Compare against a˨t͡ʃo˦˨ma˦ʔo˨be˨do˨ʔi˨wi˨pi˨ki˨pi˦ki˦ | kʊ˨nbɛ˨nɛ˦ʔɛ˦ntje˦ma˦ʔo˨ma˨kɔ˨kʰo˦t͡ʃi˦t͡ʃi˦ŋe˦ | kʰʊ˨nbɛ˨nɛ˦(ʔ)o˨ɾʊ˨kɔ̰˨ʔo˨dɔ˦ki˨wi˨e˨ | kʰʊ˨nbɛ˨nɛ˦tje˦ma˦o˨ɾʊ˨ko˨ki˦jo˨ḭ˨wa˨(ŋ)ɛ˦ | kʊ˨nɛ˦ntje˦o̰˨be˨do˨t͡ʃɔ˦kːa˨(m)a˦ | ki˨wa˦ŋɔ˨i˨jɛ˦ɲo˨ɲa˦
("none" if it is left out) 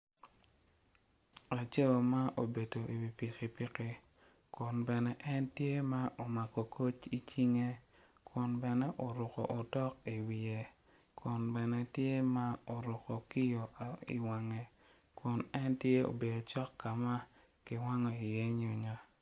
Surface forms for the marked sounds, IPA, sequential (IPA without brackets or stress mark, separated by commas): ʔ, ŋ, m